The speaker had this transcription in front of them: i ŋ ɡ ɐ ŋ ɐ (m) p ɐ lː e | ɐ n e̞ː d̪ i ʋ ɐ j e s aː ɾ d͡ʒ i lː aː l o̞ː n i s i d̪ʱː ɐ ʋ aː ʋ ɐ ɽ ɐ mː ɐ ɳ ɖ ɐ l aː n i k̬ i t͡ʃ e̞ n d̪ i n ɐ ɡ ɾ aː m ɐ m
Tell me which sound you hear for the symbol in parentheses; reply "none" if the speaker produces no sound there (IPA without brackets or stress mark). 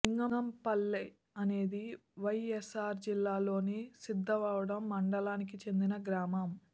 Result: m